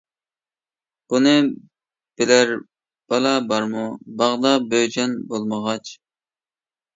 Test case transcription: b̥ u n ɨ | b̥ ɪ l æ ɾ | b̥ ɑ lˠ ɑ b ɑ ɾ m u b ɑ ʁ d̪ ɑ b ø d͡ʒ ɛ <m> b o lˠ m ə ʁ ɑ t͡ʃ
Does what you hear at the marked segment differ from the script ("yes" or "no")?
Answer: yes